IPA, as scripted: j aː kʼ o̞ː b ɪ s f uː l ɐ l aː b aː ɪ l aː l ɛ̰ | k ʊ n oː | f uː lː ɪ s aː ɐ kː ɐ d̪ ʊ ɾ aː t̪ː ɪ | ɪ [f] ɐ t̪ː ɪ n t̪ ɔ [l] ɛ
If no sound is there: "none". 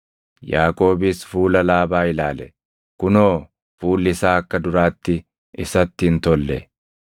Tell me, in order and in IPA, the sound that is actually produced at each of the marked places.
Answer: s, lː

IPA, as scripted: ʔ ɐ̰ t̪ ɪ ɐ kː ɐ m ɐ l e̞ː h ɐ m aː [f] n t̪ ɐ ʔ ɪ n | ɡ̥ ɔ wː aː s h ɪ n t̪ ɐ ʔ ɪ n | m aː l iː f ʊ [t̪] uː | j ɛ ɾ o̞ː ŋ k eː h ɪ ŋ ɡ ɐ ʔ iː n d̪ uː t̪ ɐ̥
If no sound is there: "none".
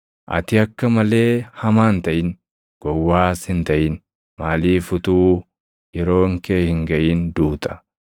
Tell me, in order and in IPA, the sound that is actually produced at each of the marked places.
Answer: none, t̪

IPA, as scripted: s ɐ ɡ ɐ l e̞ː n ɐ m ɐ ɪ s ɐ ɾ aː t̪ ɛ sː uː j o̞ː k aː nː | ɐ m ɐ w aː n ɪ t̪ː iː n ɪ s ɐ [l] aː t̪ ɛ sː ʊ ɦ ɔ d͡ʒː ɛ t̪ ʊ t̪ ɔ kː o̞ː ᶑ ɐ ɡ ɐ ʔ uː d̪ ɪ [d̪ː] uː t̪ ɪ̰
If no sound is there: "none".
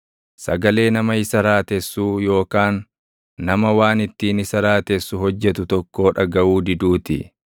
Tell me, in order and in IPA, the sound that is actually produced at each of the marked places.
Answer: ɾ, d̪

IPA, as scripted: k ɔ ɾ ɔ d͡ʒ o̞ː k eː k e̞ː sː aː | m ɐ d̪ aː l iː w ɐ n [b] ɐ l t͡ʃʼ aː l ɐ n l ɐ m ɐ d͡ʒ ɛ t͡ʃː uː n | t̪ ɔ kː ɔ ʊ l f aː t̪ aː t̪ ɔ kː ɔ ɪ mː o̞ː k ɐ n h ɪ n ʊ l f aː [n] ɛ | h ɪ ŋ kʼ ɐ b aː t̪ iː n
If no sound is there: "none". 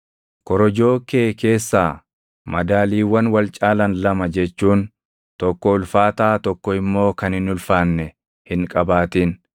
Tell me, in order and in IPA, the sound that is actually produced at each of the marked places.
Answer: w, nː

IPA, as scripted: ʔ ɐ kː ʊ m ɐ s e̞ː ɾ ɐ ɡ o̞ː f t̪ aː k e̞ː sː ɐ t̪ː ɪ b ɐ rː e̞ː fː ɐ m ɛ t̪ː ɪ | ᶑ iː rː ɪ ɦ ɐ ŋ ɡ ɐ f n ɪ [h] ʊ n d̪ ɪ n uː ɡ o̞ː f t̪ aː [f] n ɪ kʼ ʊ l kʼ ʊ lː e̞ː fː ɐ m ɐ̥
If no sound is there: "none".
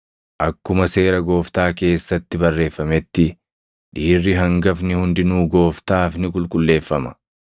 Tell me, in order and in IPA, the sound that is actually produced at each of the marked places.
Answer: h, f

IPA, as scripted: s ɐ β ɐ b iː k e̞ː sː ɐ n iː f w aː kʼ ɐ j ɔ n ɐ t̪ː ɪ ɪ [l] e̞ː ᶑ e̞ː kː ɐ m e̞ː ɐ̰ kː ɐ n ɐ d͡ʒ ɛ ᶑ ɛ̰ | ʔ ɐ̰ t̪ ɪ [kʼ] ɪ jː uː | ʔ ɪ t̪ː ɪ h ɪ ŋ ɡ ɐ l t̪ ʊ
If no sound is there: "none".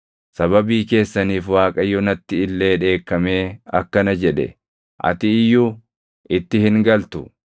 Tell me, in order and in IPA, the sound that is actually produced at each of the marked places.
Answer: lː, none

